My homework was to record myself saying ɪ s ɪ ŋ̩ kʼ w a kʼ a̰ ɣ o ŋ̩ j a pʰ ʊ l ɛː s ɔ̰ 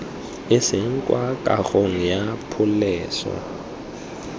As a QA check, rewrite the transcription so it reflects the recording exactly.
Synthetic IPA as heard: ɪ s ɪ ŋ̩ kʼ w a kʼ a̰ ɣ o ŋ̩ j a pʰ ʊ l ɛː s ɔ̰